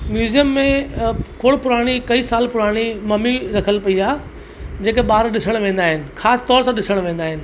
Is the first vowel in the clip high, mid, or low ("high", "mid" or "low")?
high